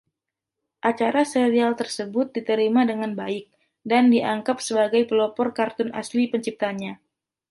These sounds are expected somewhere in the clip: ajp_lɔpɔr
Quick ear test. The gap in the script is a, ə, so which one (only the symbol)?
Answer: ə